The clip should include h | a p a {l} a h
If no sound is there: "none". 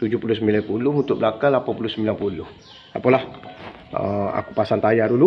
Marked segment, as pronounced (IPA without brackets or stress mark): l